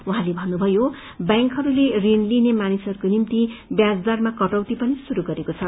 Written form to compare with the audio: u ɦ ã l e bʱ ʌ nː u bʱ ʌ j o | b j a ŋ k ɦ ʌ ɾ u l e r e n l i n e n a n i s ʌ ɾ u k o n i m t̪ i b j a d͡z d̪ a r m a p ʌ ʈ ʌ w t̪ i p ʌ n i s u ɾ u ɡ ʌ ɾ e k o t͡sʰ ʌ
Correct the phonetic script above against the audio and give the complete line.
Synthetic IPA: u ɦ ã l e bʱ ʌ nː u bʱ ʌ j o | b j a ŋ k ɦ ʌ ɾ u l e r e n l i n e m a n i s ʌ ɾ u k o n i m t̪ i b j a d͡z d̪ a r m a k ʌ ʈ ʌ w t̪ i p ʌ n i s u ɾ u ɡ ʌ ɾ e k o t͡sʰ ʌ

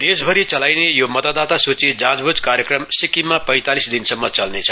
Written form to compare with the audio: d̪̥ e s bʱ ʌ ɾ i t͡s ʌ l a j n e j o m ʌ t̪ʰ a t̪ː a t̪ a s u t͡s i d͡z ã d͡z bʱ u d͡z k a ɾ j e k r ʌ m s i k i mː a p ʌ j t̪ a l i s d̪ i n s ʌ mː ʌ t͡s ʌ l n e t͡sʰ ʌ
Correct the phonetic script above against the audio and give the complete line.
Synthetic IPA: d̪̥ e s bʱ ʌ ɾ i t͡s ʌ l a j n e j o m ʌ t̪ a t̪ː a t̪ a s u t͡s i d͡z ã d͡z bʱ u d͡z k a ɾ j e k r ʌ m s i k i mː a p ʌ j t̪ a l i s d̪ i n s ʌ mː ʌ t͡s ʌ l n e t͡sʰ ʌ

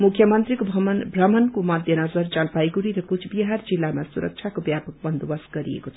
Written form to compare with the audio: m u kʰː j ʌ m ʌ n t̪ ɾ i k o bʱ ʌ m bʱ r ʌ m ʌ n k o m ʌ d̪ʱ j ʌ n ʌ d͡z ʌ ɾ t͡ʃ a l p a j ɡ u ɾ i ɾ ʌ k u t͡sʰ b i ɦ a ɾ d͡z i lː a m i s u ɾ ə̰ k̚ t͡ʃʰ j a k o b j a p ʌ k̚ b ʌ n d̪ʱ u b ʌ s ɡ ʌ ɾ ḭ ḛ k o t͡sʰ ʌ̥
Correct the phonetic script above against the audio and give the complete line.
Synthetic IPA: m u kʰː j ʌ m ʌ n t̪ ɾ i k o bʱ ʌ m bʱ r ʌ m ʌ n k o m ʌ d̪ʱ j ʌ n ʌ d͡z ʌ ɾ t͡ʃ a l p a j ɡ u ɾ i ɾ ʌ k u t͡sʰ b i ɦ a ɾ d͡z i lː a m a s u ɾ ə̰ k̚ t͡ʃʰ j a k o b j a p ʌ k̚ b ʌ n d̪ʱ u b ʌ s ɡ ʌ ɾ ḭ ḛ k o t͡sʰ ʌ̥

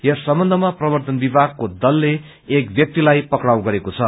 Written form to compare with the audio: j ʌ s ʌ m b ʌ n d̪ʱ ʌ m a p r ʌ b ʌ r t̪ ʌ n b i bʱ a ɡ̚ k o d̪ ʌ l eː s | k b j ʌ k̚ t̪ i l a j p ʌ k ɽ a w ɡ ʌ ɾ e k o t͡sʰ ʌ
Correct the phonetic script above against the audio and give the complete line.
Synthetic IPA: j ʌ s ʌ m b ʌ n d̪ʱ ʌ m a p r ʌ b ʌ r t̪ ʌ n b i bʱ a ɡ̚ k o d̪ ʌ lː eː | k b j ʌ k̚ t̪ i l a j p ʌ k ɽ a w ɡ ʌ ɾ e k o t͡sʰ ʌ

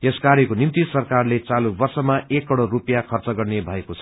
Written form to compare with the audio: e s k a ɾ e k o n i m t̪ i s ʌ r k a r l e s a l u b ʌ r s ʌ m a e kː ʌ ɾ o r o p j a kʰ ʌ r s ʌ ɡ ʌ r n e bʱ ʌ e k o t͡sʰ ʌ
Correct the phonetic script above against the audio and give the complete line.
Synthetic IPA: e s k a ɾ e k o n i m t̪ i s ʌ r k a r l e t͡s a l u b ʌ r s ʌ m a e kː ʌ ɽ o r u p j a kʰ ʌ r t͡s ʌ ɡ ʌ r n e bʱ ʌ e k o t͡sʰ ʌ

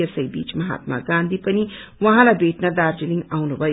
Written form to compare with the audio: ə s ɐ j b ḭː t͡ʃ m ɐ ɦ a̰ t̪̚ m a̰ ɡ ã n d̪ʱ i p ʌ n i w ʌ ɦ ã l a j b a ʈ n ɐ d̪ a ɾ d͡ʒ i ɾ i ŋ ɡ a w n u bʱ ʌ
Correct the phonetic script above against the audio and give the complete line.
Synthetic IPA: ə s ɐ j b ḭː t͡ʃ m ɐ ɦ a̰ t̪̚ m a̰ ɡ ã n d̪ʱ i p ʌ n i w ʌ ɦ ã l a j b e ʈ n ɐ d̪ a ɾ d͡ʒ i l i ŋ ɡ a w n u bʱ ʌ

